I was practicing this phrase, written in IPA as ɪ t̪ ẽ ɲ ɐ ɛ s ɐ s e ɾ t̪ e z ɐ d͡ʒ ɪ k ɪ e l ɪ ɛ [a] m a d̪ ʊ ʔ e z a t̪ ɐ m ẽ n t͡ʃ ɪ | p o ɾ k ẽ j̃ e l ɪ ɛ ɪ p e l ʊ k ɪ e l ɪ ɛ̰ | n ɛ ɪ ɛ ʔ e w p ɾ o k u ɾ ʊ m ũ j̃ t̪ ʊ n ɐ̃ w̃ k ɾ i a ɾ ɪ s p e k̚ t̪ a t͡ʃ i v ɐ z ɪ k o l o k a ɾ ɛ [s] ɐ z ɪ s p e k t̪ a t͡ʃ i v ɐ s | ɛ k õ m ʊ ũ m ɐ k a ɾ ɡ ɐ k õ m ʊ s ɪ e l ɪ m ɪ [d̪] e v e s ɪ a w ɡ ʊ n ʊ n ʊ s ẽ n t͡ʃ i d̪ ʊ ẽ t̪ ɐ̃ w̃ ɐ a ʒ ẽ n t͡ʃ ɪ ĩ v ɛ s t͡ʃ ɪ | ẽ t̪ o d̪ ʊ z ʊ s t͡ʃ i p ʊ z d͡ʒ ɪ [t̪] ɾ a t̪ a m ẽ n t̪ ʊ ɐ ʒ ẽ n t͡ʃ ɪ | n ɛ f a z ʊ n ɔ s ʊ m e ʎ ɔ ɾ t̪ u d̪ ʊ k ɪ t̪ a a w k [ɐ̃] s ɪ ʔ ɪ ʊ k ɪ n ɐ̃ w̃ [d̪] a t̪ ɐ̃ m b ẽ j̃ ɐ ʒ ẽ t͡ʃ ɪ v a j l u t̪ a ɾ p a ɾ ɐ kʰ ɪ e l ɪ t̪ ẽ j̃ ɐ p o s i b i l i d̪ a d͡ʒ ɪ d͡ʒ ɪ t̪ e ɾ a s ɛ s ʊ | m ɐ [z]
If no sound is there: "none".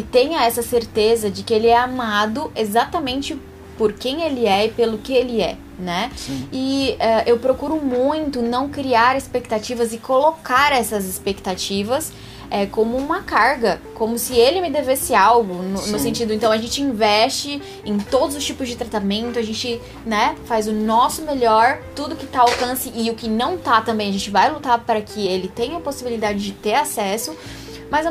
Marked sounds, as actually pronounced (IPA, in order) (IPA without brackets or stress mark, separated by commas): a, s, d̪, t̪, ɐ̃, t̪, z